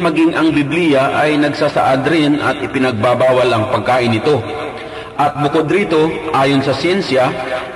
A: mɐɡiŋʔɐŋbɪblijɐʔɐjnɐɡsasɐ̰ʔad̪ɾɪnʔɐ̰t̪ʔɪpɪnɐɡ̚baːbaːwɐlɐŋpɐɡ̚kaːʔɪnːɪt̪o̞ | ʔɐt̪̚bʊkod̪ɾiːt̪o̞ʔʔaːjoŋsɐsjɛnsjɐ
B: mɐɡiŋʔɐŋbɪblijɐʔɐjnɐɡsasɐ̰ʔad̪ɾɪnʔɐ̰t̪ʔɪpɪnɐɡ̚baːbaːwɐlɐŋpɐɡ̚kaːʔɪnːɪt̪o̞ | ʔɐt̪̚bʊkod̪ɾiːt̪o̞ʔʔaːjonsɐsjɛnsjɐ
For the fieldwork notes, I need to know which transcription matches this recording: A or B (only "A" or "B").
B